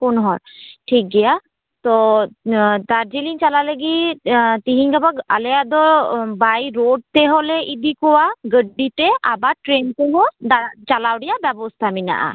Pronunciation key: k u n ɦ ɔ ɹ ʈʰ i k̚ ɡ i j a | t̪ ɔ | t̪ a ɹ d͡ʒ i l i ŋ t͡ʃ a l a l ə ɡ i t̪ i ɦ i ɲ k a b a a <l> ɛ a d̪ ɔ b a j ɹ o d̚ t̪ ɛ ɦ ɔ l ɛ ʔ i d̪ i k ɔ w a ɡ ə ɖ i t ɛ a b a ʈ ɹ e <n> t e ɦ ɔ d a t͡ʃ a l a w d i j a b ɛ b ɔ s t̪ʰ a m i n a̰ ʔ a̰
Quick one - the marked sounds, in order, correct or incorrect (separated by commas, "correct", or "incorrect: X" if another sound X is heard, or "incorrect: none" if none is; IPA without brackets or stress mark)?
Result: correct, correct